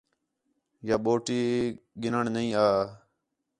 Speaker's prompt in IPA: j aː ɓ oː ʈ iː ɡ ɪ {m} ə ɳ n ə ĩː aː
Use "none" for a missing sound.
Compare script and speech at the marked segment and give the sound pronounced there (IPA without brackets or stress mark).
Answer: n